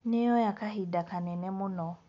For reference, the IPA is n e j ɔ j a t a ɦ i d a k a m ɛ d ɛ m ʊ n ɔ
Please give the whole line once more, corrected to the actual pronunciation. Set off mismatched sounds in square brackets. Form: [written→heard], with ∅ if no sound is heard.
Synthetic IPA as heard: n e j ɔ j a [t→k] a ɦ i d a k a [m→n] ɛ [d→n] ɛ m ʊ n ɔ